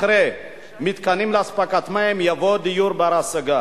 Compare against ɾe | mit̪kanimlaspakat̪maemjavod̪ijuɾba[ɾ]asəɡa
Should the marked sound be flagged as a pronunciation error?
no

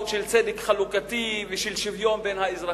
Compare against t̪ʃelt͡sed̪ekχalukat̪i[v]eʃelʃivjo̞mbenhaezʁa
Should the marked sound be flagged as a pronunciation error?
no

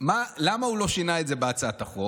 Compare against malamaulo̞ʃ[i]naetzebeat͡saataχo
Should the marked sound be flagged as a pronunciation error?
no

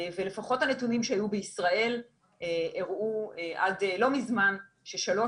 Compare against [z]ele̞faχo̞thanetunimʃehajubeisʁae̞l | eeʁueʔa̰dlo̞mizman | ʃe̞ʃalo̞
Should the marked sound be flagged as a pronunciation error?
yes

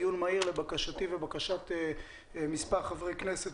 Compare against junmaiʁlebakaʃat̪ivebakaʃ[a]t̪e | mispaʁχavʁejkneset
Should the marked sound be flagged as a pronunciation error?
no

